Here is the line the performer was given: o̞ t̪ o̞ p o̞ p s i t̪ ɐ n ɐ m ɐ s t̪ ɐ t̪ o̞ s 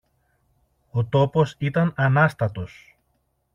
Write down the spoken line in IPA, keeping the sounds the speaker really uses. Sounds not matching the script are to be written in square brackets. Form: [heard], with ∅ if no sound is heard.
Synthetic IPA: o̞ t̪ o̞ p o̞ [∅] s i t̪ ɐ n ɐ [n] ɐ s t̪ ɐ t̪ o̞ s